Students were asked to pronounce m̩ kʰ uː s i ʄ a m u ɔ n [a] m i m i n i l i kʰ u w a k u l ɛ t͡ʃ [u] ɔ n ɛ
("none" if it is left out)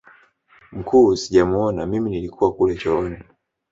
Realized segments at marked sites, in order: a, ɔ

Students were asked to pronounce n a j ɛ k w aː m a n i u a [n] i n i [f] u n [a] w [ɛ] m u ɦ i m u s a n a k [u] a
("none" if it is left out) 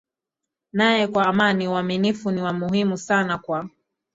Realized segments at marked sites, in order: m, f, i, a, w

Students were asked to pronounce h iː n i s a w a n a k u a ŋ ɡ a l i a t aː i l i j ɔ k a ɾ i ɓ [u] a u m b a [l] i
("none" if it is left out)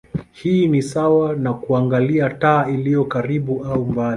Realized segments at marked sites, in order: u, l

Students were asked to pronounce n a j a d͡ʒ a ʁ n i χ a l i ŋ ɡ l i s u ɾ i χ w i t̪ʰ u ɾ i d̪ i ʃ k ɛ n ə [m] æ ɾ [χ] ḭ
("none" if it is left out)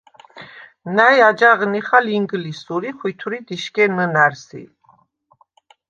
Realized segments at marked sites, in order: n, s

